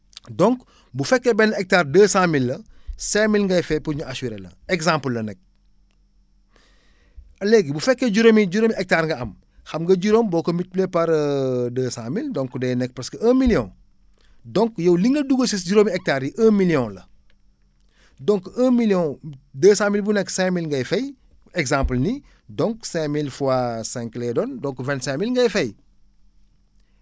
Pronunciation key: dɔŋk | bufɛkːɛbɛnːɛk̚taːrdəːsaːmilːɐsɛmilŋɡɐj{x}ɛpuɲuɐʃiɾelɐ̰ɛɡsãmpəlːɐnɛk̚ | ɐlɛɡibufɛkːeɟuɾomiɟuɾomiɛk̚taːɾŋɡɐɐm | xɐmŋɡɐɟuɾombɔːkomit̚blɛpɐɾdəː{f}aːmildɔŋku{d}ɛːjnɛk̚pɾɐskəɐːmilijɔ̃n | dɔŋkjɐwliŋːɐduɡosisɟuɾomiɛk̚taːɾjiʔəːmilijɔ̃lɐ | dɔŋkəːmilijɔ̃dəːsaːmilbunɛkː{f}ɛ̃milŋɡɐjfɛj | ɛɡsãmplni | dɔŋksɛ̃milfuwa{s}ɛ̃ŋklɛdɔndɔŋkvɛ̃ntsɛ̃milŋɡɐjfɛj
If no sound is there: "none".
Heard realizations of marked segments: f, s, d, s, s

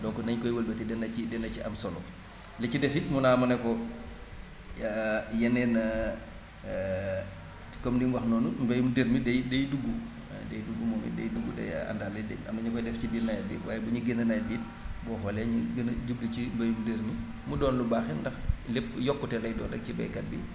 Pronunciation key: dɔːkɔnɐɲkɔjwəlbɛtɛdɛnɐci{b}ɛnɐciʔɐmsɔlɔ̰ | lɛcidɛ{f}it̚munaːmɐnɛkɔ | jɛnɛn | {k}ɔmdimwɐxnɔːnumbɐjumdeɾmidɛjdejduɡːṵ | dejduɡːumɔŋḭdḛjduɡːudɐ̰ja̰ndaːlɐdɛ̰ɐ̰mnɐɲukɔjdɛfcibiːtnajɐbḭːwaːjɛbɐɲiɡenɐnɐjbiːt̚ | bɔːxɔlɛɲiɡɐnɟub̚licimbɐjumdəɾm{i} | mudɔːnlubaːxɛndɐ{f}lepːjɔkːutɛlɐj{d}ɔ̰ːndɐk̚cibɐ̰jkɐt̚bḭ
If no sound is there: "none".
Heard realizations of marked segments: d, s, k, i, x, d

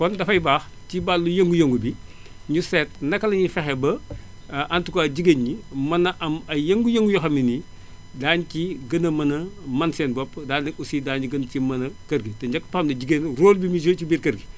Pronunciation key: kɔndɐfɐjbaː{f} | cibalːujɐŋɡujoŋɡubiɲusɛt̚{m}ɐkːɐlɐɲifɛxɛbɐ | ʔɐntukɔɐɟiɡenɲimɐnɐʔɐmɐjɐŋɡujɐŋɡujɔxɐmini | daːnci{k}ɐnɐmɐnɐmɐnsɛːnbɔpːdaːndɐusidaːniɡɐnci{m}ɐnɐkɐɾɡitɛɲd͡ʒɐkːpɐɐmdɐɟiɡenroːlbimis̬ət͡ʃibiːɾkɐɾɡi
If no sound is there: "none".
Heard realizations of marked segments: x, n, ɡ, m

